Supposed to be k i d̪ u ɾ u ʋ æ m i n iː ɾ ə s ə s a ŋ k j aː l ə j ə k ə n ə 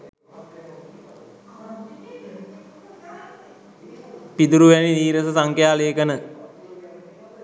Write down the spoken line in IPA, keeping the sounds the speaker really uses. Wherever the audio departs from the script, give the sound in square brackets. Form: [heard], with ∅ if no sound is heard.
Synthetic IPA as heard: [p] i d̪ u ɾ u ʋ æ [n] i n iː ɾ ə s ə s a ŋ k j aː l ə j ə k ə n ə